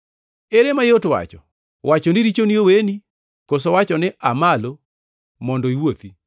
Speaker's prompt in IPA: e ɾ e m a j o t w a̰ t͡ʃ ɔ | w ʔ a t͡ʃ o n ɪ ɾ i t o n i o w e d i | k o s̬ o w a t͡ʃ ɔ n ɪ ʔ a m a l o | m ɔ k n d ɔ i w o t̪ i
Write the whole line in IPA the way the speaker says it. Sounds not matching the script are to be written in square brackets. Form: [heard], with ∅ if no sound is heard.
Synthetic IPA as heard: e ɾ e m a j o t w a̰ t͡ʃ ɔ | w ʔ a t͡ʃ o n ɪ ɾ i [t͡ʃ] o n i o w e [n] i | k o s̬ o w a t͡ʃ ɔ n ɪ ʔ a m a l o | m ɔ [∅] n d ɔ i w o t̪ i